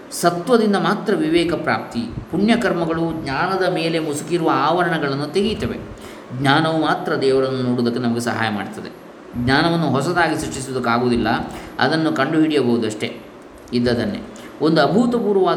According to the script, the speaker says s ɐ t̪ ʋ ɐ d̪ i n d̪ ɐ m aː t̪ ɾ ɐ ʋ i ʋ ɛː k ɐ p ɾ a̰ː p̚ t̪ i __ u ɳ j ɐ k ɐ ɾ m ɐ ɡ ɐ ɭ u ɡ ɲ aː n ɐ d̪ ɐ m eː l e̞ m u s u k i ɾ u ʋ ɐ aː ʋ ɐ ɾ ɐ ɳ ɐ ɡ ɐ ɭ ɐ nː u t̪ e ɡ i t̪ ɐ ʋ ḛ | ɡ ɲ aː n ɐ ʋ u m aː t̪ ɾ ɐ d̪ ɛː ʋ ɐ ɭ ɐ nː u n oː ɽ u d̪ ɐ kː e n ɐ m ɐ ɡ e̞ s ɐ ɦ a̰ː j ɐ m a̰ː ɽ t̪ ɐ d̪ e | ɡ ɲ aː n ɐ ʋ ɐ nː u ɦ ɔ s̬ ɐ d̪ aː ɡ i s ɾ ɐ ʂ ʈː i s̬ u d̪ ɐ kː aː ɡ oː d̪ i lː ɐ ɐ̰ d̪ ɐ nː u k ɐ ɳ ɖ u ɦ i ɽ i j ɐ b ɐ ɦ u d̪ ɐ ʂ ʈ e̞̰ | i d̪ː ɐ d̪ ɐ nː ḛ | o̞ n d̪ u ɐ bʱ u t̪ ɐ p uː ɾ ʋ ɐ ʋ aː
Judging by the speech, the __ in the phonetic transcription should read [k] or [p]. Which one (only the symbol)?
p